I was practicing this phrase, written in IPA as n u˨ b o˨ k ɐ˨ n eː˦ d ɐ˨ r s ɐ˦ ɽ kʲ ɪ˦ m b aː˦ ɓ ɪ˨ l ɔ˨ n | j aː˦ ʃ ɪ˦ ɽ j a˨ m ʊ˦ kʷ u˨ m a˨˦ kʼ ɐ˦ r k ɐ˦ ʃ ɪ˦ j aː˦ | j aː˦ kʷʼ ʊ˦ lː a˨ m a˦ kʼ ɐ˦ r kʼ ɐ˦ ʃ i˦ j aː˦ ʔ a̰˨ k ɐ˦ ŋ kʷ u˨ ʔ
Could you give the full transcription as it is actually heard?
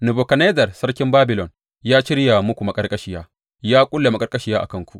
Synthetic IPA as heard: n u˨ b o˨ k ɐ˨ n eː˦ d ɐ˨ r s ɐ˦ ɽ kʲ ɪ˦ m b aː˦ b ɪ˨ l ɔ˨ n | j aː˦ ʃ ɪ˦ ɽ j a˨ m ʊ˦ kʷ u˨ m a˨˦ kʼ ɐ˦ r kʼ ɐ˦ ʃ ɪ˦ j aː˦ | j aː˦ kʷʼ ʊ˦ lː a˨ m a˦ kʼ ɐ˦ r kʼ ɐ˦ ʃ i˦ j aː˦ ʔ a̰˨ k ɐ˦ ŋ kʷ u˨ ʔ